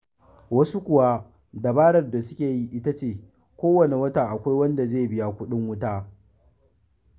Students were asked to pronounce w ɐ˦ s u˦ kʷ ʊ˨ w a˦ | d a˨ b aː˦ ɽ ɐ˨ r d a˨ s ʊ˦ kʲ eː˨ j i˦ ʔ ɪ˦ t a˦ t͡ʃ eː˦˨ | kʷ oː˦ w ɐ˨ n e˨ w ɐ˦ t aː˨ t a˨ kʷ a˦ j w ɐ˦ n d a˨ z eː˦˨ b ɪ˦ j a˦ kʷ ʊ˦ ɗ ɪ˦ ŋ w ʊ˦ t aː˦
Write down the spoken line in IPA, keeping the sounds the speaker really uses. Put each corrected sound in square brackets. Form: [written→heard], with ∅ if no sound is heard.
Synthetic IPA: w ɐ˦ s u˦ kʷ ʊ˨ w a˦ | d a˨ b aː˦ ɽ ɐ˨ r d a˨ s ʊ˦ kʲ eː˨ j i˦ ʔ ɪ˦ t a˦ t͡ʃ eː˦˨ | kʷ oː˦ w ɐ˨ n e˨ w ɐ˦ t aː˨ [t→ʔ] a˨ kʷ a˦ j w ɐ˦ n d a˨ z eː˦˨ b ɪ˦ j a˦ kʷ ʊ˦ ɗ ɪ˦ ŋ w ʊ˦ t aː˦